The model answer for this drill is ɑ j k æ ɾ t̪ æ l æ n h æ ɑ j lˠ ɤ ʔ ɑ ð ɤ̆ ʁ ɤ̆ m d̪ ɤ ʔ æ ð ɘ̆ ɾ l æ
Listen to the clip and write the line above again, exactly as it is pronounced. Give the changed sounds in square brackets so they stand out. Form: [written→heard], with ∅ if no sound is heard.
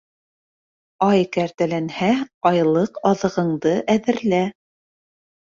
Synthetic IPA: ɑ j k æ ɾ t̪ æ l æ n h æ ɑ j lˠ ɤ [ʔ→q] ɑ ð ɤ̆ ʁ ɤ̆ [m→ɴ] d̪ ɤ ʔ æ ð ɘ̆ ɾ l æ